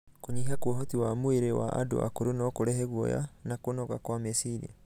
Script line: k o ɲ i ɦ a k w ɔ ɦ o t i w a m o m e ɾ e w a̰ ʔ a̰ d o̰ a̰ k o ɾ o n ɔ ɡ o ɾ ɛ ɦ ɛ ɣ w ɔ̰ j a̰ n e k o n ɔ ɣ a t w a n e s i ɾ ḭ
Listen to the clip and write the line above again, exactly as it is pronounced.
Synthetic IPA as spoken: k o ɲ i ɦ a k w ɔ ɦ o t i w a m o e ɾ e w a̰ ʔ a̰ d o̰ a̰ k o ɾ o n ɔ k o ɾ ɛ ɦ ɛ ɣ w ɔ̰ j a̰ n a k o n ɔ ɣ a k w a m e s i ɾ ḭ